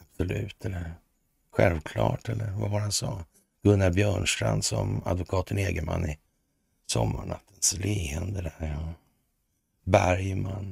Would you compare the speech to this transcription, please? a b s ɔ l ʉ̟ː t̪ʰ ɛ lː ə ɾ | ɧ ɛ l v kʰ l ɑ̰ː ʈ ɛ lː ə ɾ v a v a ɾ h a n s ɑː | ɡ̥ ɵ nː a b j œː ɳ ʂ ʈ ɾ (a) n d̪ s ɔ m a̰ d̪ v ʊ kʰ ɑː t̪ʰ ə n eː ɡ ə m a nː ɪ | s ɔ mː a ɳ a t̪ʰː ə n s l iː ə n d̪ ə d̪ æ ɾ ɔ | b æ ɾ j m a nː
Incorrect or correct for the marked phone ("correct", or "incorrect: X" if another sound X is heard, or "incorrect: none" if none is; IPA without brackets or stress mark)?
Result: correct